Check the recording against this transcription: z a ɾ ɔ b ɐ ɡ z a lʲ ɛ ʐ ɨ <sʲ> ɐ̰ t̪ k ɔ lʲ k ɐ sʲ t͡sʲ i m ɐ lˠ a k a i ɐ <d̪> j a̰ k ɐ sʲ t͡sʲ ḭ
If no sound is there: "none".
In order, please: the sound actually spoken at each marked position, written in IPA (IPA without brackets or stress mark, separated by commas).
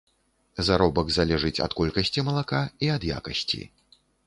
t͡sʲ, d̪